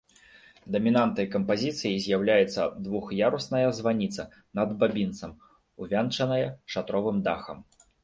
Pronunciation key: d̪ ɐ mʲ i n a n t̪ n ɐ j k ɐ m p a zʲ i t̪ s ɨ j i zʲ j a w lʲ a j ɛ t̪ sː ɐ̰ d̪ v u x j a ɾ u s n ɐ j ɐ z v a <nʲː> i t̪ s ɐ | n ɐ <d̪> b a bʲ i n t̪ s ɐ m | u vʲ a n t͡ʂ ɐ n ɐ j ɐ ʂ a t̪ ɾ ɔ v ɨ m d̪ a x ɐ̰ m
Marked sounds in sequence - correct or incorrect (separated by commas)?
incorrect, correct